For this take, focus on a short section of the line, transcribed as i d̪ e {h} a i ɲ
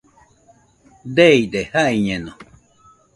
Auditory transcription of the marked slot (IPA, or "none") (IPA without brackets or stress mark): h